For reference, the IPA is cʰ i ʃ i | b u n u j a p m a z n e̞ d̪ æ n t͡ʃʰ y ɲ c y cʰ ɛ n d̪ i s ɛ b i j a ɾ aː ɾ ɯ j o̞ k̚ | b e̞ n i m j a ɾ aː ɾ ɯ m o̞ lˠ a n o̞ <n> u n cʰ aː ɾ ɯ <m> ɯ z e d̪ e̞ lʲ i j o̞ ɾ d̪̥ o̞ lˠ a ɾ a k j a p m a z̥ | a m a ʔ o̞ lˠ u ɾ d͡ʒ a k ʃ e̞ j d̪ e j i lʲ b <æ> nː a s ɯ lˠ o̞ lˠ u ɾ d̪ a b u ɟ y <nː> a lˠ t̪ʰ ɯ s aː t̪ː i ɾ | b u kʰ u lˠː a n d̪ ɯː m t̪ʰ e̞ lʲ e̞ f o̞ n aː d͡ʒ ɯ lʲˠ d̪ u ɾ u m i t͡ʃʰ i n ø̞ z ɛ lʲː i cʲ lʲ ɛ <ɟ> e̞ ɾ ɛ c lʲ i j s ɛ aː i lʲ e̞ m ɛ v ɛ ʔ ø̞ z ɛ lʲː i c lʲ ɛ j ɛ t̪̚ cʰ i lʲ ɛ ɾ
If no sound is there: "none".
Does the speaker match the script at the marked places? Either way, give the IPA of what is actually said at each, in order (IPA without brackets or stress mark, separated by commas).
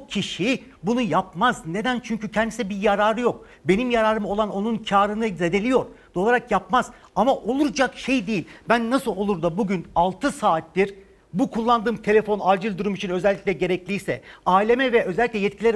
n, n, æ, n, ɟ